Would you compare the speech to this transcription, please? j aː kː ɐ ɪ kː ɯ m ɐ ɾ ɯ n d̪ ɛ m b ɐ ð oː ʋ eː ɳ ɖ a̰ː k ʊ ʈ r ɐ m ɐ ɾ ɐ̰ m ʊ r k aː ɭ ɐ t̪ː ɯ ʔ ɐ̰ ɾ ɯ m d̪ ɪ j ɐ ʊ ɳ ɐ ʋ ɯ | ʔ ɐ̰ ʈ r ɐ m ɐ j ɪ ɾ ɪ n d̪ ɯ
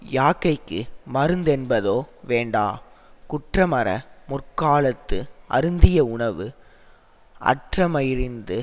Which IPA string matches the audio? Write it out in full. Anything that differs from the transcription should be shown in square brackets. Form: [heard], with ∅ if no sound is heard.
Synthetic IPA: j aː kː ɐ ɪ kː ɯ m ɐ ɾ ɯ n d̪ ɛ [n] b ɐ ð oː ʋ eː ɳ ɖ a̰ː k ʊ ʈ r ɐ m ɐ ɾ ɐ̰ m ʊ r k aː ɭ ɐ t̪ː ɯ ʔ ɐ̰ ɾ ɯ [n] d̪ ɪ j ɐ ʊ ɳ ɐ ʋ ɯ | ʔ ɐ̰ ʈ r ɐ m ɐ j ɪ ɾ ɪ n d̪ ɯ